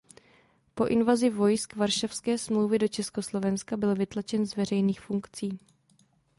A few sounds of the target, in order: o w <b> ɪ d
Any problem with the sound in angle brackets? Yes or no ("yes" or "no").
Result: yes